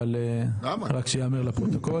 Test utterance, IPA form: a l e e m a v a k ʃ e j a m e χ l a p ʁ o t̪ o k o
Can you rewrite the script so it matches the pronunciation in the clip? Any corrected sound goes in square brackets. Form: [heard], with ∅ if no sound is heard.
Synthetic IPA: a l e [a] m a [ʁ] a k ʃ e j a m e [ʁ] l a p ʁ o t̪ o k o